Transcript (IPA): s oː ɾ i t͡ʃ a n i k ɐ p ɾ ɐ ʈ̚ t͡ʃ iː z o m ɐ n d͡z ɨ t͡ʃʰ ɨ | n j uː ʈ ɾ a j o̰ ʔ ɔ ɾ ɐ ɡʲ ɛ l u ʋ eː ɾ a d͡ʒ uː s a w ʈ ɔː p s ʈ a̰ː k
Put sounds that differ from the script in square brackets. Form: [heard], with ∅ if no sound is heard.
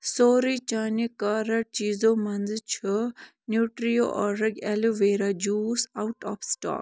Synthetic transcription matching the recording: s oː ɾ i t͡ʃ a n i k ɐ [∅] ɾ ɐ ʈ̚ t͡ʃ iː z o m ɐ n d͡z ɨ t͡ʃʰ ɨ | n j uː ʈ ɾ [i] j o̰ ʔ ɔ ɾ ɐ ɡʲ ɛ l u ʋ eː ɾ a d͡ʒ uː s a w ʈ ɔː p s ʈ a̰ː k